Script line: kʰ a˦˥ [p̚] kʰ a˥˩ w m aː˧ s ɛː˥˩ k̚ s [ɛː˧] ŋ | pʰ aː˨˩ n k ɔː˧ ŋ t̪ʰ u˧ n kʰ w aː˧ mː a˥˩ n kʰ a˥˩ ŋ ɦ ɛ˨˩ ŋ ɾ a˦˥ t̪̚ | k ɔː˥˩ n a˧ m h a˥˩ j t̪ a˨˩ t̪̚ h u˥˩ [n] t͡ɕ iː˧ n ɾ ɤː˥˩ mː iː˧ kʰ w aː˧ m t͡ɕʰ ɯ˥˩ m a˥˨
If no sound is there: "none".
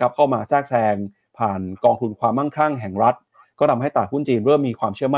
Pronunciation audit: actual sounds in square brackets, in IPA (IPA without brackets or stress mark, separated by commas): p̚, ɛː˧, n